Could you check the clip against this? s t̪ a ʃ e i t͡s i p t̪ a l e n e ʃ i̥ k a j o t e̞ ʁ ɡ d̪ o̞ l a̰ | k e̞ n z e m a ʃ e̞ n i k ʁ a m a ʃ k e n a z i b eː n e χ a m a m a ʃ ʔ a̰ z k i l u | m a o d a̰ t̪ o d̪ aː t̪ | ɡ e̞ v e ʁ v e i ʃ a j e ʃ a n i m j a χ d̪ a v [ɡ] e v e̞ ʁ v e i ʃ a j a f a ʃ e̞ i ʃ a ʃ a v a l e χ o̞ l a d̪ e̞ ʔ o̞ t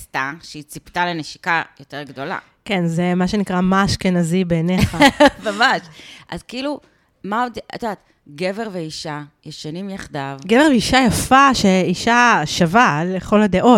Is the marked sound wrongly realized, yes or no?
no